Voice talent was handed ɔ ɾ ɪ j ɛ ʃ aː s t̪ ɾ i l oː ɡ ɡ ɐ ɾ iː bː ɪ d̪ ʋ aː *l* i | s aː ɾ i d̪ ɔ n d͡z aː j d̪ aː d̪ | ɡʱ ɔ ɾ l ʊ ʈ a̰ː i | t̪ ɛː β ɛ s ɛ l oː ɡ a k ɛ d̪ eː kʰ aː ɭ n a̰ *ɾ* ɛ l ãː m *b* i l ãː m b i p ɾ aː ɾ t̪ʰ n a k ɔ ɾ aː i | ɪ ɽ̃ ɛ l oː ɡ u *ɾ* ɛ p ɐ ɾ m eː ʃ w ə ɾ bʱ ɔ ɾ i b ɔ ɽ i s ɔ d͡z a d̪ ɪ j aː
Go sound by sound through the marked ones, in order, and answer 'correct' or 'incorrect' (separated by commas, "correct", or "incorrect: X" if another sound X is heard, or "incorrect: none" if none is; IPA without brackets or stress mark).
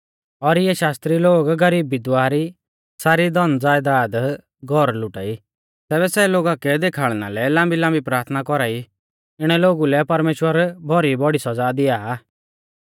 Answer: incorrect: ɾ, incorrect: l, correct, incorrect: l